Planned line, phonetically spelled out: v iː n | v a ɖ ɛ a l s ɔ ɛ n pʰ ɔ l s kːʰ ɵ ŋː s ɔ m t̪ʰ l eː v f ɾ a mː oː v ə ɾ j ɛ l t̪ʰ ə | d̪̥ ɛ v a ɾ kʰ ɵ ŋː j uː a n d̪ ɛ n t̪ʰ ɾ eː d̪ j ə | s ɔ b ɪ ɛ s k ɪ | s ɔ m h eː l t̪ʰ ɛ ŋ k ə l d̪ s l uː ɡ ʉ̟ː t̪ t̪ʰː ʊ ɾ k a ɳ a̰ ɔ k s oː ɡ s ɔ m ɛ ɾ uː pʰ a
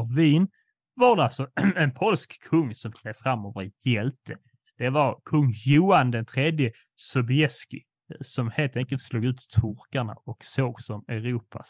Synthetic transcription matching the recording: v iː n | v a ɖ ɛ a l s ɔ ɛ n pʰ ɔ l s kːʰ ɵ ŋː s ɔ m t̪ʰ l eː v f ɾ a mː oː v ə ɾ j ɛ l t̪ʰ ə | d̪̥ ɛ v a ɾ kʰ ɵ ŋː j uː a n d̪ ɛ n t̪ʰ ɾ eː d̪ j ə | s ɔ b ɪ ɛ s k ɪ | s ɔ m h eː l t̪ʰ ɛ ŋ k ə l t̪ s l uː ɡ ʉ̟ː t̪ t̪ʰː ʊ ɾ k a ɳ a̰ ɔ k s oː ɡ s ɔ m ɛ ɾ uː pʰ a